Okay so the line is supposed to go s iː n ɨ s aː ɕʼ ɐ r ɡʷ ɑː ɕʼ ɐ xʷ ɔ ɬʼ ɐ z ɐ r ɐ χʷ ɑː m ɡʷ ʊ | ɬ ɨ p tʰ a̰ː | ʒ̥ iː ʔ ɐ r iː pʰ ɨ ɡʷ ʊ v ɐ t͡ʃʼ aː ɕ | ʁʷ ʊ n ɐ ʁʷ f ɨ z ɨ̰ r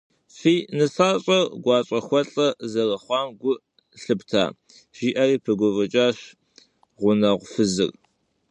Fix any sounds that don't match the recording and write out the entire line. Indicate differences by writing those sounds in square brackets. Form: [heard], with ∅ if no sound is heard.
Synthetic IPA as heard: [f] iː n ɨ s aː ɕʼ ɐ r ɡʷ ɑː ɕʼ ɐ xʷ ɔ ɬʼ ɐ z ɐ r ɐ χʷ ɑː m ɡʷ ʊ | ɬ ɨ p tʰ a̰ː | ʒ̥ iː ʔ ɐ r iː pʰ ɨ ɡʷ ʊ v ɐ t͡ʃʼ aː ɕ | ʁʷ ʊ n ɐ ʁʷ f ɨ z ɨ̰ r